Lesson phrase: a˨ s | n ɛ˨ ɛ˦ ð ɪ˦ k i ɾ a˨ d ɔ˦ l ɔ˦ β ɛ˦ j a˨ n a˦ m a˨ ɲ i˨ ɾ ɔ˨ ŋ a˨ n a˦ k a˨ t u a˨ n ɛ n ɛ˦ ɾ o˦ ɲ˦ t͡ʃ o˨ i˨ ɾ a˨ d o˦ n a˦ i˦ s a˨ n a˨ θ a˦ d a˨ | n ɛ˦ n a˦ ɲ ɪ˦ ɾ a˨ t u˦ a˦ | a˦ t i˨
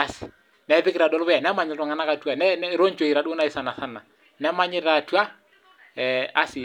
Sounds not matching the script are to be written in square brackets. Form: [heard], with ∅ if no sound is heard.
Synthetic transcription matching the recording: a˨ s | n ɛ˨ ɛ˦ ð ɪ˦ k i ɾ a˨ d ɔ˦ l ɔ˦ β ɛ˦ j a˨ n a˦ m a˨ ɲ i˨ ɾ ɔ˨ ŋ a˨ n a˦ k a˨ t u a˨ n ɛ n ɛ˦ ɾ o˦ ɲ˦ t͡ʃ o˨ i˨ ɾ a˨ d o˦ n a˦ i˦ s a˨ n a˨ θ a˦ [n] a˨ | n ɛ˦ [m] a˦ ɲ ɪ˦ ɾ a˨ t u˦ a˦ | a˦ [s] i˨

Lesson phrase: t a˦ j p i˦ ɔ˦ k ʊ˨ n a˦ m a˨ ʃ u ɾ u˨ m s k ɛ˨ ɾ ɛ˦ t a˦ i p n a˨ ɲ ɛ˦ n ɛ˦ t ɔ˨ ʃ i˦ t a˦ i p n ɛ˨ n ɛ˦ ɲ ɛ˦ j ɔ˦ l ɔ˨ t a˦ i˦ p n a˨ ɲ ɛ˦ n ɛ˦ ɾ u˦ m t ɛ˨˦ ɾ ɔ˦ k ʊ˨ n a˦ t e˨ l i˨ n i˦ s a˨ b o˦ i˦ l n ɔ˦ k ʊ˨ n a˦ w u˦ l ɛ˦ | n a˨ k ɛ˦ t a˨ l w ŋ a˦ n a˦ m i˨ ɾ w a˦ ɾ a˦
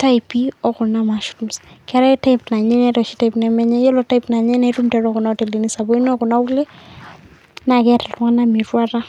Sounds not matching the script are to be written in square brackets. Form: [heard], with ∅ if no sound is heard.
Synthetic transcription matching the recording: t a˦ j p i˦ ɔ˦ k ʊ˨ n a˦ m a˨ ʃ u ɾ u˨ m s k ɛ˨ ɾ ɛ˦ t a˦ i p n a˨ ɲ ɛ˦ n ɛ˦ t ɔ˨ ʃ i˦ t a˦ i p n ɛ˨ [m] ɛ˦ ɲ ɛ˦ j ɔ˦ l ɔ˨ t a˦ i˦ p n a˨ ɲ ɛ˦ n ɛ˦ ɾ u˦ m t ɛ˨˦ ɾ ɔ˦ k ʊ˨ n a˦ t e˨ l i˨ n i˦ s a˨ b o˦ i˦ [∅] n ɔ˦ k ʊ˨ n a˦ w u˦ l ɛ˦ | n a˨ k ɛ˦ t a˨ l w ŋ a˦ n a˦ m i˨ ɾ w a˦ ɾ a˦

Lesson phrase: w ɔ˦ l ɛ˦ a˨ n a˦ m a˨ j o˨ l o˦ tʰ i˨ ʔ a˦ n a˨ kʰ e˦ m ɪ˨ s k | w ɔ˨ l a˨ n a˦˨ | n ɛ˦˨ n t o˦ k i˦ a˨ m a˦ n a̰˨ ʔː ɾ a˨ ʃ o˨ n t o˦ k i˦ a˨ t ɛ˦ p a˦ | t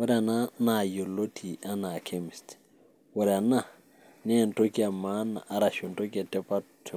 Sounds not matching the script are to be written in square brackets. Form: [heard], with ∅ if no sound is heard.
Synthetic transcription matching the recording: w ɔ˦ [ɾ] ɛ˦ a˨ n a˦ [n] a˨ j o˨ l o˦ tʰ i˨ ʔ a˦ n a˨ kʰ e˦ m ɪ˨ s [t] | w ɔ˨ [ɾ] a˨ n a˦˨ | n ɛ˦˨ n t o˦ k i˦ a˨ m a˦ n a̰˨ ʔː ɾ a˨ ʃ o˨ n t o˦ k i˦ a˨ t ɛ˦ p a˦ | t

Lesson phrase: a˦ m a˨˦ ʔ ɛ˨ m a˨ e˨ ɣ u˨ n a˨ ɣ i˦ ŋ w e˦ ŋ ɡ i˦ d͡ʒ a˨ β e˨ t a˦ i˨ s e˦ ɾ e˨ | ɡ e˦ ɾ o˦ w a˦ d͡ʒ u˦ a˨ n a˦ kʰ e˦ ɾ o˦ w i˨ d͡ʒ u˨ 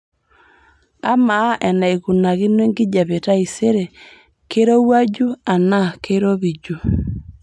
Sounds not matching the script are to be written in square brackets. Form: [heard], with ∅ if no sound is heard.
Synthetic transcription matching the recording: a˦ m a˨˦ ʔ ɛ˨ [n] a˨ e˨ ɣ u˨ n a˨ ɣ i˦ [n] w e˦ ŋ ɡ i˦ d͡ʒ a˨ β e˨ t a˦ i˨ s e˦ ɾ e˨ | [k] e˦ ɾ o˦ w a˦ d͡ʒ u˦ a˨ n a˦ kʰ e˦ ɾ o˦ [β] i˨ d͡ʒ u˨

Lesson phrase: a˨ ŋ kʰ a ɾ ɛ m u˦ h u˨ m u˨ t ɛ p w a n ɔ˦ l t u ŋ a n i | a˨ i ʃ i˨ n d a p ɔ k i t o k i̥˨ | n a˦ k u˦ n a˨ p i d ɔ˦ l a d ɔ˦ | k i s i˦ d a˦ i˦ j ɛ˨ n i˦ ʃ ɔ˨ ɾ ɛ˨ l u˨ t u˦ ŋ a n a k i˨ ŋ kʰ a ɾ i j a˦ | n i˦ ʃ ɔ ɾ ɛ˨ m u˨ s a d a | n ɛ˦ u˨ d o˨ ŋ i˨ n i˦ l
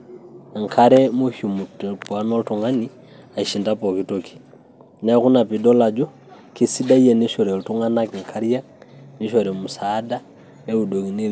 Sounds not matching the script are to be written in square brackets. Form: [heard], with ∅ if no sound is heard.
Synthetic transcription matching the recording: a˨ ŋ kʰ a ɾ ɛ m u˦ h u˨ m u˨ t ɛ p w a n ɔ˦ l t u ŋ a n i | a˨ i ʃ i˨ n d a p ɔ k i t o k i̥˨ | n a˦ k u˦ n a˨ p i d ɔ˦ l a [d͡ʒ] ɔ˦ | k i s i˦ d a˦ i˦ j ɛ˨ n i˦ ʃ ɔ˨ ɾ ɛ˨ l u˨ t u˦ ŋ a n a k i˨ ŋ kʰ a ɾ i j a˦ | n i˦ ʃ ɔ ɾ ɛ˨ m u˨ s a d a | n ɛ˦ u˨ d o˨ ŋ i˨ n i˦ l

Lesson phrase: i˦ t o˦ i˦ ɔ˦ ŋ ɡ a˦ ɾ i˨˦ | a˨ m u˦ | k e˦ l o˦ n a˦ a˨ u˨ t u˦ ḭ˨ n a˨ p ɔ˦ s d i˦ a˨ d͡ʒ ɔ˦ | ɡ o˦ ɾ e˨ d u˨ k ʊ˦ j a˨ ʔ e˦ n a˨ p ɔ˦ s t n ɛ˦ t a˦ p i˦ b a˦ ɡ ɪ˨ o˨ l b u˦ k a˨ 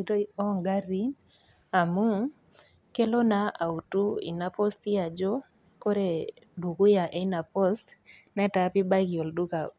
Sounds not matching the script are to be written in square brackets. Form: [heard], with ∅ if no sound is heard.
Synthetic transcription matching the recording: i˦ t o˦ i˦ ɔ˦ ŋ ɡ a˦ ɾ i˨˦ | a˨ m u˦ | k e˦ l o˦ n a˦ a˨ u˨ t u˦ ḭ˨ n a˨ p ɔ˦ s [t] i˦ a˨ d͡ʒ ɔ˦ | [k] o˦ ɾ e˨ d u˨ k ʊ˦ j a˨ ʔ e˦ n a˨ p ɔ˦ s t n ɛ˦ t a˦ p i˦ b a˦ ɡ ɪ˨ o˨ l [d] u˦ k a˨

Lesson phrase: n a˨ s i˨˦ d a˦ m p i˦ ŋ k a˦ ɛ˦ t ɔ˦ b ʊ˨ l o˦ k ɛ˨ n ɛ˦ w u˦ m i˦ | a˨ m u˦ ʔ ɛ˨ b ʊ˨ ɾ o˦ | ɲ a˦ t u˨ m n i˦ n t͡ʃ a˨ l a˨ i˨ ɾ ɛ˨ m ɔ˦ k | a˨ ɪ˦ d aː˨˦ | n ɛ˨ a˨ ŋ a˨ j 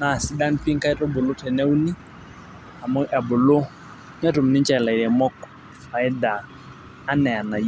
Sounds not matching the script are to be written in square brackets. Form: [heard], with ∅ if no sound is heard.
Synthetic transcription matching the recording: n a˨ s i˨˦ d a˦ [n] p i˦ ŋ k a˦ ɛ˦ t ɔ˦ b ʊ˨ l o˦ [t] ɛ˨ n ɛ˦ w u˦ [n] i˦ | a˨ m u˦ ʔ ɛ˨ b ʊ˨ [l] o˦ | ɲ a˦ t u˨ m n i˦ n t͡ʃ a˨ l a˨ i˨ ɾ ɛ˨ m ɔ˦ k | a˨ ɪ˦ d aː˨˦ | n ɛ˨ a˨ [n] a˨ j

